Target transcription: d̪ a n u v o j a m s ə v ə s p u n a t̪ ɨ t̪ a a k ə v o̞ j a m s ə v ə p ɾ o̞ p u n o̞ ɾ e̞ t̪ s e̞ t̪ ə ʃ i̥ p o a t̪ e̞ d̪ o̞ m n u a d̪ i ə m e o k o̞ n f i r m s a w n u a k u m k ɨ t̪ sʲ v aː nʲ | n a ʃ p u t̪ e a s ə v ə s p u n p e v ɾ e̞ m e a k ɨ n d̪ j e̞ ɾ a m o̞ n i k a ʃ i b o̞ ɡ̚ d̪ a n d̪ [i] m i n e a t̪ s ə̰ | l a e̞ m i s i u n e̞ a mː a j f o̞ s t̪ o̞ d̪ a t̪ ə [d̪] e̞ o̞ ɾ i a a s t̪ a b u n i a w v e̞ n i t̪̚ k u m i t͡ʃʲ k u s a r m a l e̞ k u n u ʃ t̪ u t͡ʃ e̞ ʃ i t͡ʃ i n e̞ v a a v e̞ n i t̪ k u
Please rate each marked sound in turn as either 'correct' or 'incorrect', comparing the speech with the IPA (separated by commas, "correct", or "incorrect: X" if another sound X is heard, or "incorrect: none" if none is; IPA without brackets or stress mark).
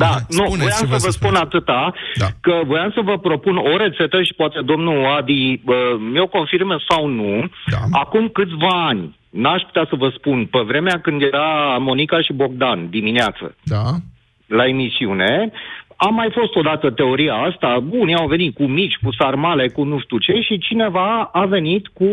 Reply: correct, incorrect: t̪